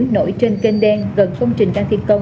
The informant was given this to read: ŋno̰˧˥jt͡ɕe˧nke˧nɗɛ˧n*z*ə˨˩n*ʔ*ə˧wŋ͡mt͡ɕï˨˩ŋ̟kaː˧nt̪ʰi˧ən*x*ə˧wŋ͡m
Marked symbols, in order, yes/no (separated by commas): no, no, no